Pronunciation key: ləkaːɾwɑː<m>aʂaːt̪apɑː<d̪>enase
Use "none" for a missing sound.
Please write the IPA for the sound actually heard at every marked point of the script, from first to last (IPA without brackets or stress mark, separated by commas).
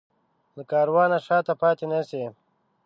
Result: n, t̪